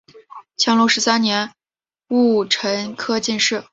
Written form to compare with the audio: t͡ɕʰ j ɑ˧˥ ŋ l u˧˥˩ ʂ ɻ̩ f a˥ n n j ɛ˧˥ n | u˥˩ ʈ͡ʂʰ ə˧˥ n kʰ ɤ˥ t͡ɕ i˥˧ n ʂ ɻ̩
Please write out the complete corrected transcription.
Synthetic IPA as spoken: t͡ɕʰ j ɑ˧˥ ŋ l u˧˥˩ ʂ ɻ̩ s a˥ n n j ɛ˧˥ n | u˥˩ ʈ͡ʂʰ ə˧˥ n kʰ ɤ˥ t͡ɕ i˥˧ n ʂ ɻ̩